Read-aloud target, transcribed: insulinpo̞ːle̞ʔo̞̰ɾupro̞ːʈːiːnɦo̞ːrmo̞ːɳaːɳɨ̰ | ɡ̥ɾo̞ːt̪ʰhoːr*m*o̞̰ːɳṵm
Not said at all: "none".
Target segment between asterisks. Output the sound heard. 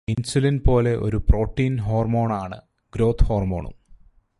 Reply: m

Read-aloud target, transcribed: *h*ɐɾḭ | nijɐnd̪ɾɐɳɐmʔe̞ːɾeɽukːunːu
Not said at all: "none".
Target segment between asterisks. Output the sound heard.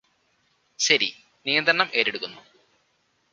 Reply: ɕ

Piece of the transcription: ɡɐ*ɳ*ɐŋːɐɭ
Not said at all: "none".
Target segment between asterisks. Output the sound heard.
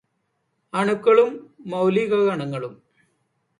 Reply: ɳ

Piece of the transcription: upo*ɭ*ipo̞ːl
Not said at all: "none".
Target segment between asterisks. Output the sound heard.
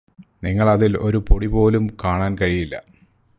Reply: ɽ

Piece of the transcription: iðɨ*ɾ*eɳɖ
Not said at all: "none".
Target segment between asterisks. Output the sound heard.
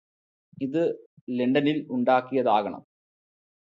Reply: l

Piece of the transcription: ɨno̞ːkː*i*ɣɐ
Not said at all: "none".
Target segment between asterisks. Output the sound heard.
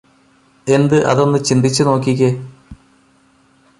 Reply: i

